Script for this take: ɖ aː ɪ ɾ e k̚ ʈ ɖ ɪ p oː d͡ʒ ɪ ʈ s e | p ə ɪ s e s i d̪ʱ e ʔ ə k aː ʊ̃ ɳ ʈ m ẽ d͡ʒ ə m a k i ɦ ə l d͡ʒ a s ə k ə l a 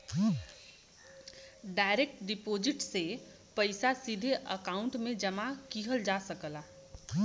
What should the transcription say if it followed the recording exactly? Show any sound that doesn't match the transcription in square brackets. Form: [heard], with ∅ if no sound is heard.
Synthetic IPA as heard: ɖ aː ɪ ɾ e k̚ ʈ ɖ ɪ p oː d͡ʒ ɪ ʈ s e | p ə ɪ s [a] s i d̪ʱ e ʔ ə k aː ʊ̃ ɳ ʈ m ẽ d͡ʒ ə m a k i ɦ ə l d͡ʒ a s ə k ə l a